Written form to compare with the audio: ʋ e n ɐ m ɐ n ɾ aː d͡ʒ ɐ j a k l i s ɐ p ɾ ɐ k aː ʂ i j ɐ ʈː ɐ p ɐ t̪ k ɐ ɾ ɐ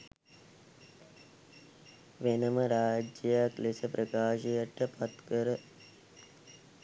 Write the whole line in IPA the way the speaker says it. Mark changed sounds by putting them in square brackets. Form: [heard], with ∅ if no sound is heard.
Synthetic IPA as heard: ʋ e n ɐ m ɐ [∅] ɾ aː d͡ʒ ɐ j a k l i s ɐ p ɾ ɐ k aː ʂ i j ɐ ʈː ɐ p ɐ t̪ k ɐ ɾ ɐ